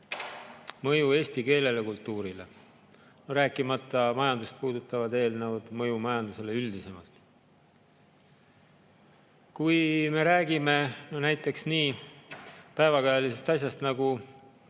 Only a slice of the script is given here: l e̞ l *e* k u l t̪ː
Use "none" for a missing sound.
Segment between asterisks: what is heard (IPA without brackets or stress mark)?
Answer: e